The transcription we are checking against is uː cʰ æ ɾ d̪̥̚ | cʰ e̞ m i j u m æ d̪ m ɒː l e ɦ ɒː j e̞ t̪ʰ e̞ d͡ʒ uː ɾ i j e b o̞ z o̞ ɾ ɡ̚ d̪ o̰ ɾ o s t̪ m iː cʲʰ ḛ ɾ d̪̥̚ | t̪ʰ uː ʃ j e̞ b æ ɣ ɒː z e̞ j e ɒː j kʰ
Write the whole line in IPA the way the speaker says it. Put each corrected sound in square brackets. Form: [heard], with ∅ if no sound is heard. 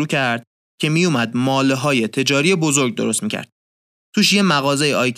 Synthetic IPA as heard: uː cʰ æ ɾ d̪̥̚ | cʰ e̞ m i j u m æ d̪ m ɒː l e ɦ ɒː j e̞ t̪ʰ e̞ d͡ʒ [ɒː] ɾ i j e b o̞ z o̞ ɾ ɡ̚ d̪ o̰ ɾ o s t̪ m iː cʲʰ [æ̰] ɾ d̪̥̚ | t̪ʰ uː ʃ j e̞ [m] æ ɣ ɒː z e̞ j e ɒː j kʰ